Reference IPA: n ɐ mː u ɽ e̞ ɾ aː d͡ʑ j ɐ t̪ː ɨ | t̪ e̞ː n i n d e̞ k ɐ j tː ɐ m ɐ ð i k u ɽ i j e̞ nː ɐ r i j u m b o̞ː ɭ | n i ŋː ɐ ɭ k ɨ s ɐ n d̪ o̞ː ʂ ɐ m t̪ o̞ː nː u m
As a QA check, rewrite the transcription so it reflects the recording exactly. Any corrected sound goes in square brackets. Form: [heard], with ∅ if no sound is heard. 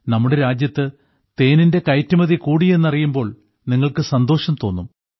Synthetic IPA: n ɐ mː u ɽ e̞ ɾ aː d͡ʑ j ɐ t̪ː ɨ | t̪ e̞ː n i n d e̞ k ɐ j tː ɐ m ɐ ð i k [uː] ɽ i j e̞ nː ɐ r i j u m b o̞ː ɭ | n i ŋː ɐ ɭ k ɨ s ɐ n d̪ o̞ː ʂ ɐ m t̪ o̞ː nː u m